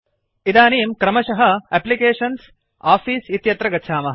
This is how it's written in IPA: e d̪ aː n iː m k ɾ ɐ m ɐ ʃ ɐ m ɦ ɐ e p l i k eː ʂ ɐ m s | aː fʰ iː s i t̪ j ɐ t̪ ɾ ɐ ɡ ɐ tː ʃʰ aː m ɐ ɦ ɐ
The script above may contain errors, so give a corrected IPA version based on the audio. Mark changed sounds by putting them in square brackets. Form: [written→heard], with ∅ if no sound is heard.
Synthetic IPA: [e→i] d̪ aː n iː m k ɾ ɐ m ɐ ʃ ɐ [m→∅] ɦ ɐ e p l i k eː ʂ ɐ [m→n] s | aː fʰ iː s i t̪ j ɐ t̪ ɾ ɐ ɡ ɐ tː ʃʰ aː m ɐ ɦ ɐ

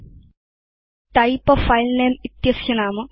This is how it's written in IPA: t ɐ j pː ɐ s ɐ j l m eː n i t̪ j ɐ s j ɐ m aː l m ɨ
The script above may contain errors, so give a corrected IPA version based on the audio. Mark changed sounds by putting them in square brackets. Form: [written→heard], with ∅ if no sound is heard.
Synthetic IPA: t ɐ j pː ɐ [s→f] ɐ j l [m→n] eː [n→m] i t̪ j ɐ s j ɐ [m→n] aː [l→∅] m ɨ

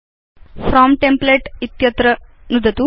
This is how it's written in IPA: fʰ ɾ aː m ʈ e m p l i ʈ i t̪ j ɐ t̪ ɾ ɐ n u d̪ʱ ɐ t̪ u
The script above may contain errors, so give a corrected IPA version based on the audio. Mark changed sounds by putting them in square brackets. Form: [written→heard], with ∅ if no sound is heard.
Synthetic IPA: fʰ ɾ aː m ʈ e m p l [i→e] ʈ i t̪ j ɐ t̪ ɾ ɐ n u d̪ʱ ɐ t̪ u

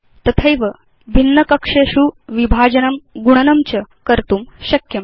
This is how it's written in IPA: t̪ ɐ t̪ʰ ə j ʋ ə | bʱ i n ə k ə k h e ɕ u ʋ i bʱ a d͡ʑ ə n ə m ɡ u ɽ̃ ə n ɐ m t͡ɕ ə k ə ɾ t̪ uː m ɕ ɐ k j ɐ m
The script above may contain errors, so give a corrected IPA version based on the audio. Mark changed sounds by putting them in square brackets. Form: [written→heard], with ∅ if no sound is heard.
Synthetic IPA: t̪ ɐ t̪ʰ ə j ʋ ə | bʱ i [n→nː] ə k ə k [h→ʂ] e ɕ u ʋ i bʱ a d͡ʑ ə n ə m ɡ u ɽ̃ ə n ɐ m t͡ɕ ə k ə ɾ t̪ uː m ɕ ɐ k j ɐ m

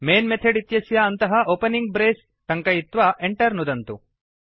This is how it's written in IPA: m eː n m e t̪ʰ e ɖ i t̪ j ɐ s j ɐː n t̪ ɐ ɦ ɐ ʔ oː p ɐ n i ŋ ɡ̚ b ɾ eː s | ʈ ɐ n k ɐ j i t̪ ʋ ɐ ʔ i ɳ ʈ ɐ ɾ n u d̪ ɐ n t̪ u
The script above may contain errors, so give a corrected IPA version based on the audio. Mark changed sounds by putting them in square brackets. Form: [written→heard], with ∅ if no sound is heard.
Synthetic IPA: m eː n m e t̪ʰ e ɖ i t̪ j ɐ s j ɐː n t̪ ɐ ɦ ɐ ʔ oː p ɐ n i ŋ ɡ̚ b ɾ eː s | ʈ ɐ [n→ŋ] k ɐ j i t̪ ʋ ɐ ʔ [i→e] ɳ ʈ ɐ ɾ n u d̪ ɐ n t̪ u

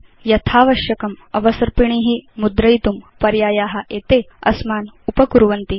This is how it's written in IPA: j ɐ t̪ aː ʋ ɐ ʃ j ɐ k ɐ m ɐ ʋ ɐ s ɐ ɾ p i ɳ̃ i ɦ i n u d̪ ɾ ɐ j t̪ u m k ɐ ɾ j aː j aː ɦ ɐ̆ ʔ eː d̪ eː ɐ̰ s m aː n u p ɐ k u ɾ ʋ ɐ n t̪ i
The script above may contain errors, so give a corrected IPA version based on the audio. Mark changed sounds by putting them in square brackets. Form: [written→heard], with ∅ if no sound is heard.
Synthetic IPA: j ɐ [t̪→t̪ʰ] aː ʋ ɐ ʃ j ɐ k ɐ m ɐ ʋ ɐ s ɐ ɾ p i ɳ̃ i ɦ i [n→m] u d̪ ɾ ɐ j t̪ u m [k→p] ɐ ɾ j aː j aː ɦ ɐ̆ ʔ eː [d̪→t̪] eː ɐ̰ s m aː n u p ɐ k u ɾ ʋ ɐ n t̪ i

